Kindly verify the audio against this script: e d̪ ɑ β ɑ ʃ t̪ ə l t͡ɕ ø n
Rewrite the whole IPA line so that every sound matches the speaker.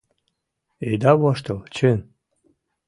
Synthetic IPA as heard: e d̪ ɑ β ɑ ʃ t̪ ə l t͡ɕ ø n

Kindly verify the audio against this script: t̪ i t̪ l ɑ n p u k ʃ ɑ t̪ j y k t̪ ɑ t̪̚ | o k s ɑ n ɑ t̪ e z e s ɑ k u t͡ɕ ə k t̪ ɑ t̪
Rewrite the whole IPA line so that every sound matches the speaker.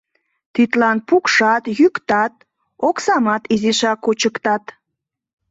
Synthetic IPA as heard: t̪ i t̪ l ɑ n p u k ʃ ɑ t̪ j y k t̪ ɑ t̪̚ | o k s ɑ m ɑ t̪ i z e ʃ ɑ k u t͡ɕ ə k t̪ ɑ t̪

